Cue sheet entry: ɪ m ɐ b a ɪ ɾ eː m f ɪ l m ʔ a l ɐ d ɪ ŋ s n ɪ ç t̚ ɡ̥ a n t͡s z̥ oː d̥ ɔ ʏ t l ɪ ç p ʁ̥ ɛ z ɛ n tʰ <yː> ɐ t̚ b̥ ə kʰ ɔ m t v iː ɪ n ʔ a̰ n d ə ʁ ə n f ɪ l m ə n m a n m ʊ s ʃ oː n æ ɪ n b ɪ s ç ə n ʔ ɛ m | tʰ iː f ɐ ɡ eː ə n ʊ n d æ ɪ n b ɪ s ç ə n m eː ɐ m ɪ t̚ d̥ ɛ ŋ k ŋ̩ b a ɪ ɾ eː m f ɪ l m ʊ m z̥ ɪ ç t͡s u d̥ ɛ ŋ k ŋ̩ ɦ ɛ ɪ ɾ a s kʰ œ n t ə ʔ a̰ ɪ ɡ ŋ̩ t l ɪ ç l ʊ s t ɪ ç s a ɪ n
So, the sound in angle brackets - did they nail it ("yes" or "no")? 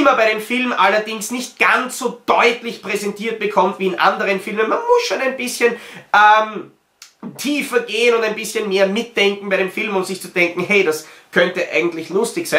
no